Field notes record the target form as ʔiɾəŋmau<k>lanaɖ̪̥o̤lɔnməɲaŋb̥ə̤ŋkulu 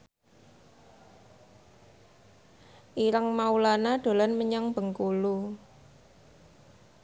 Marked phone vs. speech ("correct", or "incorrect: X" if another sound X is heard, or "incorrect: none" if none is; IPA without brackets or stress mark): incorrect: none